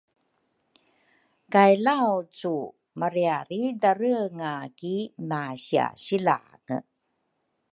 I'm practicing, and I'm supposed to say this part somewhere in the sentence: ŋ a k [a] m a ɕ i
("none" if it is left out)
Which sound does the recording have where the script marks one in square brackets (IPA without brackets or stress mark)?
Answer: i